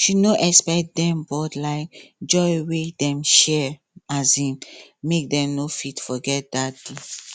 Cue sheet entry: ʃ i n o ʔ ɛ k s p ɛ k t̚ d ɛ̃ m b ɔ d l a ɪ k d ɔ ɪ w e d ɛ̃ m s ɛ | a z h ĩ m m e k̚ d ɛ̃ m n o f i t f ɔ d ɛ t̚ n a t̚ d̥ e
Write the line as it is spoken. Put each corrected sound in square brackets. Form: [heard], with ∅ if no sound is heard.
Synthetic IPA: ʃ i n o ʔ ɛ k s p ɛ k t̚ d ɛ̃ m b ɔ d l a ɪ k [d͡ʒ] ɔ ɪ w e d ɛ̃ m [ʃ] ɛ | a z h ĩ m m e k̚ d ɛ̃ m n o f i t f ɔ [ɡ] ɛ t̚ [d] a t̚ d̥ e